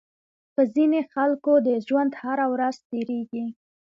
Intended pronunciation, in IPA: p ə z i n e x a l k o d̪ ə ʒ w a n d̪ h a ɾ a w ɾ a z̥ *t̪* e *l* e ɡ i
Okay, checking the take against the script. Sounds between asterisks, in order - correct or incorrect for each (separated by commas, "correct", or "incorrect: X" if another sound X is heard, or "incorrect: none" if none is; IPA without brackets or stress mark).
correct, incorrect: ɾ